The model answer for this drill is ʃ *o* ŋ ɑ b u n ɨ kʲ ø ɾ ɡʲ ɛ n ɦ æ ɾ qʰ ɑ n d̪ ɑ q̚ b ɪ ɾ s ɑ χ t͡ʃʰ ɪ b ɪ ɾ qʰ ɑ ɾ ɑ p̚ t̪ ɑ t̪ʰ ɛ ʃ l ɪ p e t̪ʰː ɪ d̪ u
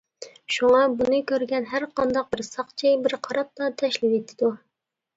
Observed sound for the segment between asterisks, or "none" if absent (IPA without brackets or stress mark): u